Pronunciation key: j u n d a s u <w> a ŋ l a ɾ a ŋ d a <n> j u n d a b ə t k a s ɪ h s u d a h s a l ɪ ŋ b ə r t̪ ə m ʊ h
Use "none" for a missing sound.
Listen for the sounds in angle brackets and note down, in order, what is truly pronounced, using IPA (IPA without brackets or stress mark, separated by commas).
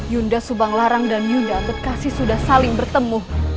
b, n